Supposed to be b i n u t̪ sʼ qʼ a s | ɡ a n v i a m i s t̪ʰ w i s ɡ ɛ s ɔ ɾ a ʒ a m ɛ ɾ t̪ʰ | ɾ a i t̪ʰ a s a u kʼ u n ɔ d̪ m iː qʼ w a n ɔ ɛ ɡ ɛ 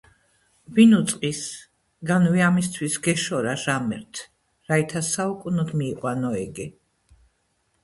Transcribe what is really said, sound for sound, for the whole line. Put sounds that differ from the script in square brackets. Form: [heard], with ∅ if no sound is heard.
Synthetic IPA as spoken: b i n u t̪ sʼ qʼ [i] s | ɡ a n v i a m i s t̪ʰ w i s ɡ ɛ [ʃ] ɔ ɾ a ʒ a m ɛ ɾ t̪ʰ | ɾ a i t̪ʰ a s a u kʼ u n ɔ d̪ m iː qʼ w a n ɔ ɛ ɡ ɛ